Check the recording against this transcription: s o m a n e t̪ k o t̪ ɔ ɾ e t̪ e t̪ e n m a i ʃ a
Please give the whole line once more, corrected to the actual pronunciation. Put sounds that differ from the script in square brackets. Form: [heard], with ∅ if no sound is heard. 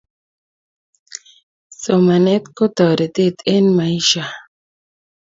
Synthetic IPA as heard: s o m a n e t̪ k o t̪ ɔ ɾ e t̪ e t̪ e n m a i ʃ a